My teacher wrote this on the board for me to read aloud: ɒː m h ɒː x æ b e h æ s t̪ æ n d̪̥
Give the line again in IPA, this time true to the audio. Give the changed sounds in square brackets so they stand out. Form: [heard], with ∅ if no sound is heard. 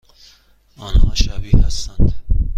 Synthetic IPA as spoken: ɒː [n] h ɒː [ʃ] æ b [i] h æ s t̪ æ n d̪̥